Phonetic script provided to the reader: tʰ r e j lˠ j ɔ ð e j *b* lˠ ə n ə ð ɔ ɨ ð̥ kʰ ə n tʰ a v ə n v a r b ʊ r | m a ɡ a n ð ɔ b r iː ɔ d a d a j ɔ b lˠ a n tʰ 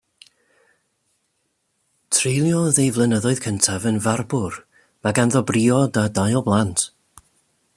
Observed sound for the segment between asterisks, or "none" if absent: v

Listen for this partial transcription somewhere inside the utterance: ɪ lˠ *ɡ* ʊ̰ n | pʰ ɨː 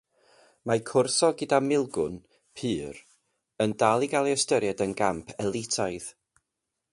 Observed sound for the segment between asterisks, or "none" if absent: ɡ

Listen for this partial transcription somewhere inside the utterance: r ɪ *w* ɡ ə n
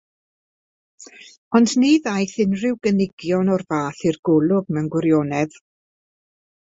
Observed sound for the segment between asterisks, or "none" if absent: w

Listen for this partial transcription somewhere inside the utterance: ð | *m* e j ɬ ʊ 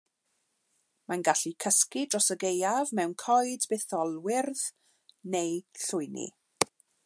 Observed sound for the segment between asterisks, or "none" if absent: n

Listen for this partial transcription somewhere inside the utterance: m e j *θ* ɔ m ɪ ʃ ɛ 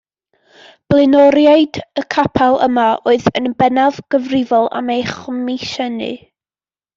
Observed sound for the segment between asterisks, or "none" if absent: χ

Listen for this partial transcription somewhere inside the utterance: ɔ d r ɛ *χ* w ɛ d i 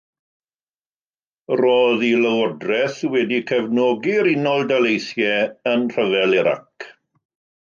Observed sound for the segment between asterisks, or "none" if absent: θ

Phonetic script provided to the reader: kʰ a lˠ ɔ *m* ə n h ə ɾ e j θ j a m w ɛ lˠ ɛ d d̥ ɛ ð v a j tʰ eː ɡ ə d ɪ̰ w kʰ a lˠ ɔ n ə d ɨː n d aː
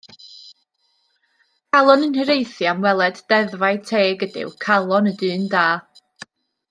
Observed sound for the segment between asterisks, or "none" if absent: n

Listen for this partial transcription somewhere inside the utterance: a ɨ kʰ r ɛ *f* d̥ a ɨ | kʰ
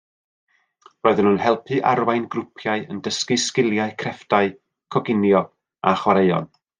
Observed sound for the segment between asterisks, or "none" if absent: f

